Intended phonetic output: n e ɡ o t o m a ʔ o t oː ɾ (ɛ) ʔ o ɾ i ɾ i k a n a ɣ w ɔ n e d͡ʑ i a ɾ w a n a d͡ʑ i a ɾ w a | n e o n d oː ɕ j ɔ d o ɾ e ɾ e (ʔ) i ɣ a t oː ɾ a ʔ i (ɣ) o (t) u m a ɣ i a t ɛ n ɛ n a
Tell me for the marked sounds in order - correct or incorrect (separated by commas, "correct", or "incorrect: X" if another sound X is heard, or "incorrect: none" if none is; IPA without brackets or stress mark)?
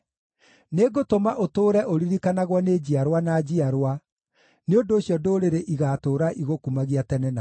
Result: correct, correct, correct, incorrect: k